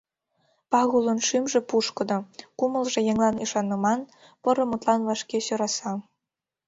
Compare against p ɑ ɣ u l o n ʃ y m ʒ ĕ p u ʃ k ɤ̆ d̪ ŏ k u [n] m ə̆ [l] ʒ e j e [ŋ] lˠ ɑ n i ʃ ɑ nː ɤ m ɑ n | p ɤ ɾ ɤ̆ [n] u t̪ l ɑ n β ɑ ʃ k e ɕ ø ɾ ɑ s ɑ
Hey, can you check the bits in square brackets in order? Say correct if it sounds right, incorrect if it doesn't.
incorrect: none, correct, correct, incorrect: m

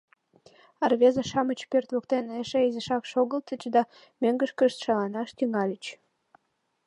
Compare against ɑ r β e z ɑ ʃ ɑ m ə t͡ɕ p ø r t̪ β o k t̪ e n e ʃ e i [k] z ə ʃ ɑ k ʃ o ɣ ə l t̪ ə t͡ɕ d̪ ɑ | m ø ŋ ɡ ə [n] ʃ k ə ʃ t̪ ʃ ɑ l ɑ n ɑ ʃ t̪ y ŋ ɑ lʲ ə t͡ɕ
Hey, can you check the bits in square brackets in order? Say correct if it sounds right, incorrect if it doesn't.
incorrect: none, incorrect: none

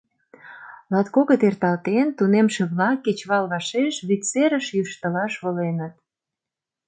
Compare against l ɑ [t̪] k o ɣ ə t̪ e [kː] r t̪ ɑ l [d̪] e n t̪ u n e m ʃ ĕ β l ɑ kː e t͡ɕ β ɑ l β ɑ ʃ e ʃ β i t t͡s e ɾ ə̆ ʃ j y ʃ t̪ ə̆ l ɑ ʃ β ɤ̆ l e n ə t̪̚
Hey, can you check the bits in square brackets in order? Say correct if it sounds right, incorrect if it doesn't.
correct, incorrect: none, incorrect: t̪

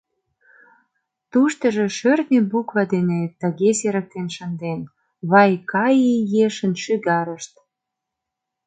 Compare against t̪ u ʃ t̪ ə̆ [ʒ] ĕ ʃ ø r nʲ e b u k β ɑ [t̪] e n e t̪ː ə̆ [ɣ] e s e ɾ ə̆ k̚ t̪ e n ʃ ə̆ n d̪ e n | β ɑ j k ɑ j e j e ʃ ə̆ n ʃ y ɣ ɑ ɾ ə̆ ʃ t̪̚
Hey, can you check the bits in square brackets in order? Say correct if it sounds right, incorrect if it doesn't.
correct, incorrect: d̪, correct

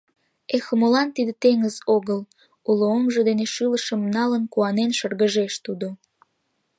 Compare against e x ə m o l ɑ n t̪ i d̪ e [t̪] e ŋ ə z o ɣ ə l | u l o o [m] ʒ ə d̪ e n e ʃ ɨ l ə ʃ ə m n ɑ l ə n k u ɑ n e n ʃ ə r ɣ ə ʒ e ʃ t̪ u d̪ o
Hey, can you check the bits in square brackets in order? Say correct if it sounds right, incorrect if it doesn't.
correct, correct

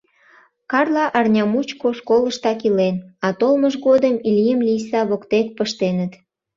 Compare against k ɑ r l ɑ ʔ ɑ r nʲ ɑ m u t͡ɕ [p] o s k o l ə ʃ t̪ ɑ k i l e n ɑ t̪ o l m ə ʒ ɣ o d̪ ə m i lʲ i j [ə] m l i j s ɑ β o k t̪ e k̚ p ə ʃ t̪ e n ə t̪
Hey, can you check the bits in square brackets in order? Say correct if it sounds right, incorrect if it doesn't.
incorrect: k, correct

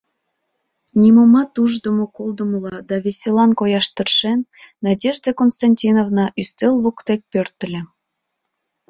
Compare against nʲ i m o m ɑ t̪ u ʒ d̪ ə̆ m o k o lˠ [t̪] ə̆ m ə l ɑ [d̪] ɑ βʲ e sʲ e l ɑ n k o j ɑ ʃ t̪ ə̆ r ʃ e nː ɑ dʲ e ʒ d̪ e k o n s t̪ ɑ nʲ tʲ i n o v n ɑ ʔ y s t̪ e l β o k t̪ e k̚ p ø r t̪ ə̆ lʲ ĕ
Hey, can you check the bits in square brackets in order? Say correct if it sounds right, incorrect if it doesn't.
incorrect: d̪, correct

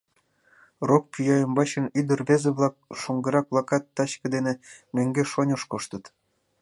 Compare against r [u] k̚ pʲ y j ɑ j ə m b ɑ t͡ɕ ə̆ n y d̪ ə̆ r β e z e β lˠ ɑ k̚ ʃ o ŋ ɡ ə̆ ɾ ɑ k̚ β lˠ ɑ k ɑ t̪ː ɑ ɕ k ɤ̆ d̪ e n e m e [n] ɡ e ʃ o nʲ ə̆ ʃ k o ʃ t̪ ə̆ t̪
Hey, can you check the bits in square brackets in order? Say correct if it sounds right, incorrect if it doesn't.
incorrect: o, incorrect: ŋ

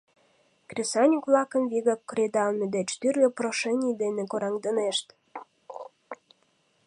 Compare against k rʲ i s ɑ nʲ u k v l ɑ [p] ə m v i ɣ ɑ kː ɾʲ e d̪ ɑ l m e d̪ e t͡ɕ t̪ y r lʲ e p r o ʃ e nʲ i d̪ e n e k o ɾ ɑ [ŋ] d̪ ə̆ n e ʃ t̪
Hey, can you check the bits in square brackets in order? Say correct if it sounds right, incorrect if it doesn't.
incorrect: k, correct

